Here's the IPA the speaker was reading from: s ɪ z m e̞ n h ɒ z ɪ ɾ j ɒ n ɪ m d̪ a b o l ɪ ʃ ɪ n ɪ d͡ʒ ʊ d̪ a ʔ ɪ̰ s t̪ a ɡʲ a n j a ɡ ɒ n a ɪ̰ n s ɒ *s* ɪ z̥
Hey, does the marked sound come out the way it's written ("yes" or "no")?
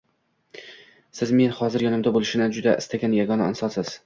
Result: yes